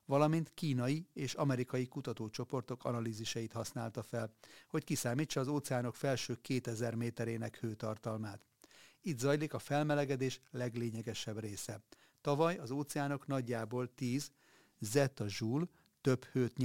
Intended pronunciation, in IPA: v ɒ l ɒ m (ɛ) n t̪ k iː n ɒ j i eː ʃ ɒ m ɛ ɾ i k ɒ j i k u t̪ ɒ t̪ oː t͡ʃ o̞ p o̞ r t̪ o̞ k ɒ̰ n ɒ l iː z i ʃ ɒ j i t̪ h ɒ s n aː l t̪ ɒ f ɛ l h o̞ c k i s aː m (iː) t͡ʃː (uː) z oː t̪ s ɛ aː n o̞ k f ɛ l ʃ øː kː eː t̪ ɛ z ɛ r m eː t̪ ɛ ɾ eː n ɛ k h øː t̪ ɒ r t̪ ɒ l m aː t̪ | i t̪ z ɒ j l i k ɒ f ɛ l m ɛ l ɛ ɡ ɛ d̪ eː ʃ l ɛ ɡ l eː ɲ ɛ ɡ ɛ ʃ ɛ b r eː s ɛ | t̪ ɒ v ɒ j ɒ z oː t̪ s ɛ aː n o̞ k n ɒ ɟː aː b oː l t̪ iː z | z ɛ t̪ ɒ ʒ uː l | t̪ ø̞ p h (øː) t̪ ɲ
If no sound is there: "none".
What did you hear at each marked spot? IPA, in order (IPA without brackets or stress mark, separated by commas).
i, iː, ɒː, øː